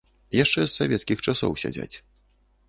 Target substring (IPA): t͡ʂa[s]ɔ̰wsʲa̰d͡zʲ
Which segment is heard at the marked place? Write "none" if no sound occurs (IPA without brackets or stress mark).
s